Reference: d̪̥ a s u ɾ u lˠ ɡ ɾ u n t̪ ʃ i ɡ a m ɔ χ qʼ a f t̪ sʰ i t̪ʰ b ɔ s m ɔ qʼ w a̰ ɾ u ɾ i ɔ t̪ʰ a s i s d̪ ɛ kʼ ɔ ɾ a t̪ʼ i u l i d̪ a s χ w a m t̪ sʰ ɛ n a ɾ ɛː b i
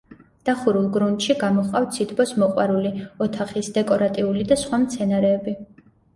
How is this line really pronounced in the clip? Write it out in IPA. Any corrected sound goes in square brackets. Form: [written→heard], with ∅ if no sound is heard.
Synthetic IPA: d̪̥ a [s→χ] u ɾ u lˠ ɡ ɾ u n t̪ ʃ i ɡ a m ɔ χ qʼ a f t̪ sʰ i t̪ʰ b ɔ s m ɔ qʼ w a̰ ɾ u [ɾ→l] i ɔ t̪ʰ a [s→χ] i s d̪ ɛ kʼ ɔ ɾ a t̪ʼ i u l i d̪ a s χ w a m t̪ sʰ ɛ n a ɾ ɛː b i